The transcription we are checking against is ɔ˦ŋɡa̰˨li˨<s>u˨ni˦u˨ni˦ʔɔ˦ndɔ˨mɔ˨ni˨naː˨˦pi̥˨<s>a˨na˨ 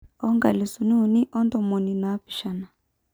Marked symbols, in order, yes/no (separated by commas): yes, no